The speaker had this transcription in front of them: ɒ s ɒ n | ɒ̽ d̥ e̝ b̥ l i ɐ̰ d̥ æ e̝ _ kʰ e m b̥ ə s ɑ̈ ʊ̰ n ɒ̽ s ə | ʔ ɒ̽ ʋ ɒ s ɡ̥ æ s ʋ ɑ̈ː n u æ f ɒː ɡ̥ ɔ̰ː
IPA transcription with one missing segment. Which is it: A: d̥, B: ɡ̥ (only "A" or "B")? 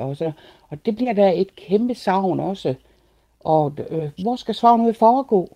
A